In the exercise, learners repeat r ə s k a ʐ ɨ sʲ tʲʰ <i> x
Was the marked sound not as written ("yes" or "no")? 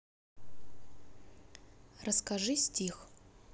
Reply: no